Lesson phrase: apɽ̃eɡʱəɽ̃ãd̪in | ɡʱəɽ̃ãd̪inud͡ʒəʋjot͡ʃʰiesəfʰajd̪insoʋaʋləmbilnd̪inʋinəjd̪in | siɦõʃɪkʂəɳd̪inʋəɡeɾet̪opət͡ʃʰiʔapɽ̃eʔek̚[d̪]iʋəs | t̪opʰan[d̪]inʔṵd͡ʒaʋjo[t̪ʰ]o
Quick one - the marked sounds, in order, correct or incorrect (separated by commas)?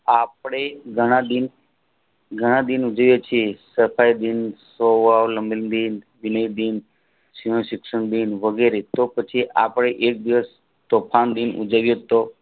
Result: correct, correct, incorrect